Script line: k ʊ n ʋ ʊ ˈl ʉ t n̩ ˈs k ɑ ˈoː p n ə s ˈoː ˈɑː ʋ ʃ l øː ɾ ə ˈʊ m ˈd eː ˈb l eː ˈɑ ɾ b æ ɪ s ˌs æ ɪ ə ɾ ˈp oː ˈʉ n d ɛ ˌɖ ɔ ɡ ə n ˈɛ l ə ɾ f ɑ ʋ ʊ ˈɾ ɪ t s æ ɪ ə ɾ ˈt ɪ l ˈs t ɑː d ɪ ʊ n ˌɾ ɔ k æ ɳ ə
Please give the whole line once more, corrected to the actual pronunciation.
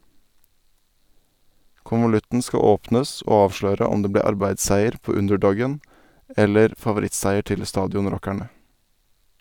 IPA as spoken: k ʊ n ʋ ʊ ˈl ʉ t n̩ ˈs k ɑ ˈoː p n ə s ˈoː ˈɑː ʋ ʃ l øː ɾ ə ˈʊ m ˈd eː ˈb l eː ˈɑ ɾ b æ ɪ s ˌs æ ɪ ə ɾ ˈp oː ˈʉ n d ɛ ˌɖ ɔ ɡ ə n ˈɛ l ə ɾ f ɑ ʋ ʊ ˈɾ ɪ t s æ ɪ ə ɾ ˈt ɪ l ˈs t ɑː d ɪ ʊ n ˌɾ ɔ k æ ɳ ə

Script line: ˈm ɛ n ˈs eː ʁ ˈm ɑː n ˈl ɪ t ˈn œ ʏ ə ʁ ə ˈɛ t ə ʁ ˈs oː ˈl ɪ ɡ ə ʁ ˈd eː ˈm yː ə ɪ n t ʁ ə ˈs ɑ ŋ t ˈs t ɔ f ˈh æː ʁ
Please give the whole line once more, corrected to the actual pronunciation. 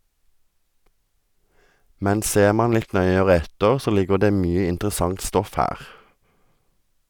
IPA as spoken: ˈm ɛ n ˈs eː ʁ ˈm ɑː n ˈl ɪ t ˈn œ ʏ ə ʁ ə ˈɛ t ə ʁ ˈs oː ˈl ɪ ɡ ə ʁ ˈd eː ˈm yː ə ɪ n t ʁ ə ˈs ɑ ŋ t ˈs t ɔ f ˈh æː ʁ

